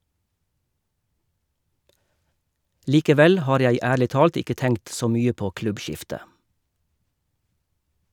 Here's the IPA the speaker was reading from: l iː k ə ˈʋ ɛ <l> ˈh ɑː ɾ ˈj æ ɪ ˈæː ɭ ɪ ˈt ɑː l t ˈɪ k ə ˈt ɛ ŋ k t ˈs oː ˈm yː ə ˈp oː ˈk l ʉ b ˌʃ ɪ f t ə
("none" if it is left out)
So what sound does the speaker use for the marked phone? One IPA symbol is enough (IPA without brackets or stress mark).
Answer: l